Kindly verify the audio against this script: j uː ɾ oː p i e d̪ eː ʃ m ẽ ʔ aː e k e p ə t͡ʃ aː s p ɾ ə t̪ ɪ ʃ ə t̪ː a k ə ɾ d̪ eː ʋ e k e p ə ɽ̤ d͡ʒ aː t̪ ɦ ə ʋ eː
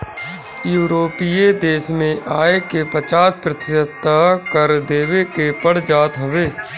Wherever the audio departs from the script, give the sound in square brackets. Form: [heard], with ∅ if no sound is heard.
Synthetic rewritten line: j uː ɾ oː p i e d̪ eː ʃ m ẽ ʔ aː e k e p ə t͡ʃ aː s p ɾ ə t̪ ɪ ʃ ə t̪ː a k ə ɾ d̪ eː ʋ e k e p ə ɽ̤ d͡ʒ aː t̪ ɦ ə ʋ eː